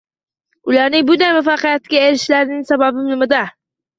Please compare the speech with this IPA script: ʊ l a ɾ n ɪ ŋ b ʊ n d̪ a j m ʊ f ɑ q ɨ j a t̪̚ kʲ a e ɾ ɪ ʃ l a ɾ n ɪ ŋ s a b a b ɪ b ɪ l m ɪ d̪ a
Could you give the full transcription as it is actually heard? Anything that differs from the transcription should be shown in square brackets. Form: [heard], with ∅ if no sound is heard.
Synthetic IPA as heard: ʊ l a ɾ n ɪ ŋ b ʊ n d̪ a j m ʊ f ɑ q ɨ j a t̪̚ kʲ a e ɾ ɪ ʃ l a ɾ n ɪ ŋ s a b a b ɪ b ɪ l m ɪ d̪ a